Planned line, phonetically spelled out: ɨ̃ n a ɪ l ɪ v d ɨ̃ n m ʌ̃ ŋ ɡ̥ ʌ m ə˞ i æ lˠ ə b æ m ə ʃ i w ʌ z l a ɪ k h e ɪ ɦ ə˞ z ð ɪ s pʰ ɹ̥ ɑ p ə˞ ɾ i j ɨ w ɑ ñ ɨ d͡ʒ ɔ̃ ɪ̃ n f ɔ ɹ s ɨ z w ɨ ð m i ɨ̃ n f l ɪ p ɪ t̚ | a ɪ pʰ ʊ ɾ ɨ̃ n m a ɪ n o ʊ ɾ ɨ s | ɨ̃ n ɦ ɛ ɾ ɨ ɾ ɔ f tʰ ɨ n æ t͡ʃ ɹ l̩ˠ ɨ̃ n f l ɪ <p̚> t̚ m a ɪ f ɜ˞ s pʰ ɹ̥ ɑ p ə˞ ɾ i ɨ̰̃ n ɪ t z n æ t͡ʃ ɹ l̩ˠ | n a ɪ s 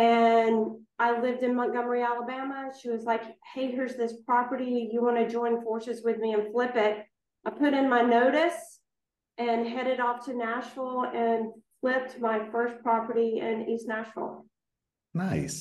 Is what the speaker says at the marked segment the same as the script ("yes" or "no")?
yes